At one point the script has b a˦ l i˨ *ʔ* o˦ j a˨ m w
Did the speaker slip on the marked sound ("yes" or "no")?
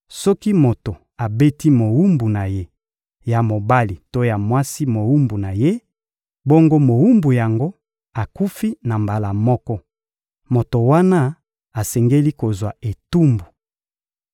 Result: yes